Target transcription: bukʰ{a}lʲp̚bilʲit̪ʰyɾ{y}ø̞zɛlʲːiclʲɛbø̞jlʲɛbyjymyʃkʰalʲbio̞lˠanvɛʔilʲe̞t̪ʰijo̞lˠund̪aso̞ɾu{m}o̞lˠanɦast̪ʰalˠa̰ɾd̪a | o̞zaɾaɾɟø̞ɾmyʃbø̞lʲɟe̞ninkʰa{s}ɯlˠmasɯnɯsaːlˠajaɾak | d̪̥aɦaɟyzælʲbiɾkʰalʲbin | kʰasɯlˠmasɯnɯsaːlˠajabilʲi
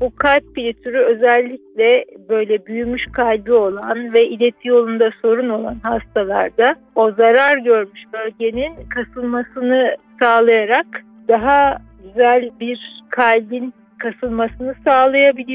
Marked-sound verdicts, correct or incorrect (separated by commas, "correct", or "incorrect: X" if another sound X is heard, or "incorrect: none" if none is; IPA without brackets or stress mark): correct, correct, incorrect: n, correct